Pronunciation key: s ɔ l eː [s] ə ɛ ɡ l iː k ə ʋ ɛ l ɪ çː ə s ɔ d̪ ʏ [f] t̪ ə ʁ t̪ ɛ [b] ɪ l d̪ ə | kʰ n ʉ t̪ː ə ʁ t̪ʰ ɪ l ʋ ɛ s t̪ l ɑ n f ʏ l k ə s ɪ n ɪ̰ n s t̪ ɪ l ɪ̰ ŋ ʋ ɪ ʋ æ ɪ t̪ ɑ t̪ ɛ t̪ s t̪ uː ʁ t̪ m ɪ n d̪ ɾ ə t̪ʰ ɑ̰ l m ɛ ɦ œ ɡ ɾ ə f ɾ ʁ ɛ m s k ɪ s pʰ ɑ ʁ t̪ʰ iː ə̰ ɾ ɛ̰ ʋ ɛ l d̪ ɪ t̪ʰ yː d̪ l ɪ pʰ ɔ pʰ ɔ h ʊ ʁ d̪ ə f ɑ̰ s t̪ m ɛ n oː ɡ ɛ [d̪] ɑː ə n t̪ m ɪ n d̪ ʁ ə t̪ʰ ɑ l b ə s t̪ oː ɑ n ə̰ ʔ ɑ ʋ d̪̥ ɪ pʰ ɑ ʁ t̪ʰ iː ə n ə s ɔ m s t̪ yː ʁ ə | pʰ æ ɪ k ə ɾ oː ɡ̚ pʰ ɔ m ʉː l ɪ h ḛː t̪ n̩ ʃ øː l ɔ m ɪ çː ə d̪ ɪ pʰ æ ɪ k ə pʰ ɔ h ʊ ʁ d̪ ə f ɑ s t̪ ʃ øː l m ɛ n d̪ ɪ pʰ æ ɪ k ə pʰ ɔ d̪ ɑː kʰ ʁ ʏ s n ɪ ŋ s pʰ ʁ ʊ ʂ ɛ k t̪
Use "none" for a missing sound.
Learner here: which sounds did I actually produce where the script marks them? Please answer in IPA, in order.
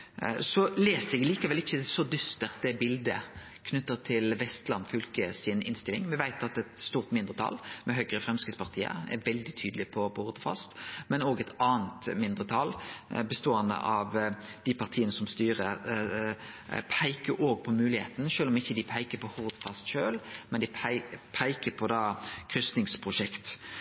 s, s, b, t̪

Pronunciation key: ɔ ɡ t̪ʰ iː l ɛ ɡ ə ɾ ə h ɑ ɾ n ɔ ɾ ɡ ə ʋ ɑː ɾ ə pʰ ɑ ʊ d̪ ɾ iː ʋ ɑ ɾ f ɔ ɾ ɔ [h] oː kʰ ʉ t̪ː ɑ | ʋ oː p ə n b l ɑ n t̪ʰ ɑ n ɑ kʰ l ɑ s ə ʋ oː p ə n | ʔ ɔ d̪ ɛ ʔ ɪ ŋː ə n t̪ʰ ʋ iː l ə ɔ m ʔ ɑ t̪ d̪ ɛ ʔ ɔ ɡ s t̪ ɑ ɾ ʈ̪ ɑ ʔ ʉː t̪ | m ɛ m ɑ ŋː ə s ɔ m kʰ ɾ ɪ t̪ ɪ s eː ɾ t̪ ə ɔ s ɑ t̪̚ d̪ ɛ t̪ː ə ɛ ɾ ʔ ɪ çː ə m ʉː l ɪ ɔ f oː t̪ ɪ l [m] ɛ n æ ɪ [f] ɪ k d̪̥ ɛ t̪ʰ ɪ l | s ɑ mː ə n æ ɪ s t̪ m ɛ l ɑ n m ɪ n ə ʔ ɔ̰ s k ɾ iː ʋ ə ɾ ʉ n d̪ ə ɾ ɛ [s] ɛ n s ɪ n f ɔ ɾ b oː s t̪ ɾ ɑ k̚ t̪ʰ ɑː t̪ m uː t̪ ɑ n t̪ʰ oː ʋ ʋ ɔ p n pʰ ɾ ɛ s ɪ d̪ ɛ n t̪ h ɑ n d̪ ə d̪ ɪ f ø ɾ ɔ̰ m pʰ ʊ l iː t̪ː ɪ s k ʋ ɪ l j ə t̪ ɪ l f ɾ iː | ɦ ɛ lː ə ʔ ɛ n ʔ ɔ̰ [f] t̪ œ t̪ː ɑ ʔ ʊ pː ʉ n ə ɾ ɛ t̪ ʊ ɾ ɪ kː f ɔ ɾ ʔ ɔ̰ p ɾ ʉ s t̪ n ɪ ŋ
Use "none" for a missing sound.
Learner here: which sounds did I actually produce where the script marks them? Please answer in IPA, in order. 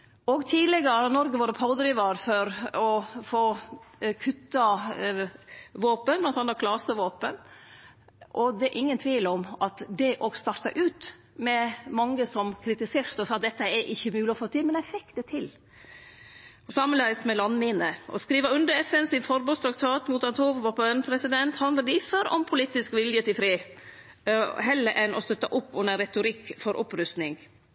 f, m, f, f, s

